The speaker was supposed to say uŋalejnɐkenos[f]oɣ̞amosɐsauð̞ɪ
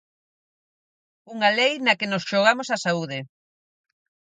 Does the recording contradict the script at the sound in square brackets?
yes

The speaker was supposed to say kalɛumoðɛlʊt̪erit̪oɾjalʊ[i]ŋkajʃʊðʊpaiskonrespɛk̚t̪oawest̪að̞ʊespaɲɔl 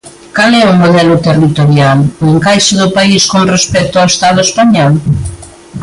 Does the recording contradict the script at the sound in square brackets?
yes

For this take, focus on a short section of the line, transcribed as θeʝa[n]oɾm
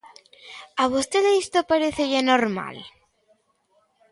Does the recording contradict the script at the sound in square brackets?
no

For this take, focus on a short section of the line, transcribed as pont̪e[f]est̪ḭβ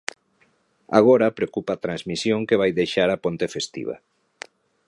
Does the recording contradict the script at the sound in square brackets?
no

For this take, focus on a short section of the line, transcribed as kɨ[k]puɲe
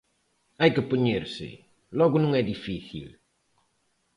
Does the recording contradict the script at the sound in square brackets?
yes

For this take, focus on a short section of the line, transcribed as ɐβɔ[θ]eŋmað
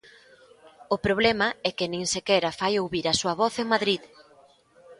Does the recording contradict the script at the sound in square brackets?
no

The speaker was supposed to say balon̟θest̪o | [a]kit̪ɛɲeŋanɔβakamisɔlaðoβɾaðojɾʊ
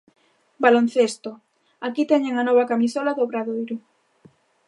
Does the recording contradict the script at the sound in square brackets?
no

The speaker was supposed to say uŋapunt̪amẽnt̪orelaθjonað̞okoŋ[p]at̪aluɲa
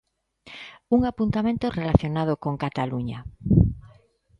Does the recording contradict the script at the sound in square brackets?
yes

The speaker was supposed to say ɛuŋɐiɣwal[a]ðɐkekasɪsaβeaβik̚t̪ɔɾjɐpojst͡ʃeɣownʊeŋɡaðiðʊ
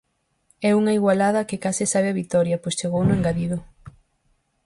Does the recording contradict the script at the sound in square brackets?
no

